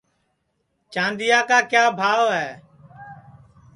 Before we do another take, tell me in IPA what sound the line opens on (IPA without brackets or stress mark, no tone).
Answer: t͡ʃ